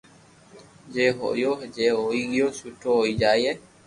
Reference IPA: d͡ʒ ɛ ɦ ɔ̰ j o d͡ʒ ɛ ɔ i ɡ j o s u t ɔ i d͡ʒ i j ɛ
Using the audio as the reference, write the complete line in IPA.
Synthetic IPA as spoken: d͡ʒ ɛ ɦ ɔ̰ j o d͡ʒ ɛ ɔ i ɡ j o s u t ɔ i d͡ʒ a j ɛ